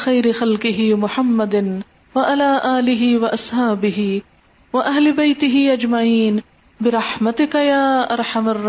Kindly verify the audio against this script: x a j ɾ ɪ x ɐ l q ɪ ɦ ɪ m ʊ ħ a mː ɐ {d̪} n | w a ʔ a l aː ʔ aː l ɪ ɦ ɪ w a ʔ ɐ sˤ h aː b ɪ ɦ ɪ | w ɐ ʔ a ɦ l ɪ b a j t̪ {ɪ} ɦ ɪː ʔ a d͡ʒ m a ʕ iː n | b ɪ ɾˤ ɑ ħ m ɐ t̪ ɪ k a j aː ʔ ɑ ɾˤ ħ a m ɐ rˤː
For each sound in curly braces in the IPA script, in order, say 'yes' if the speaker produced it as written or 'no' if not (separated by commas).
yes, yes